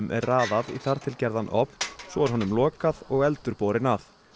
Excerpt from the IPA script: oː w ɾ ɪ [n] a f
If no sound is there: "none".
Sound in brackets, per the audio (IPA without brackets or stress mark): n